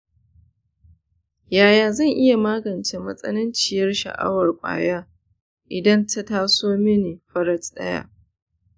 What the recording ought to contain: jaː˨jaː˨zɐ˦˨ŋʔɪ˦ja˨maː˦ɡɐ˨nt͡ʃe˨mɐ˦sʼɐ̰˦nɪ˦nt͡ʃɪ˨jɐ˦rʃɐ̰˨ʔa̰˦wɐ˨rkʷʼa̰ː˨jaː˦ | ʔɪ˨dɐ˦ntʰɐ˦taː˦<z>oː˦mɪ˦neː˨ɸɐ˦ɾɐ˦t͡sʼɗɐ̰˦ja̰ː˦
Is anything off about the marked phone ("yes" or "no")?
yes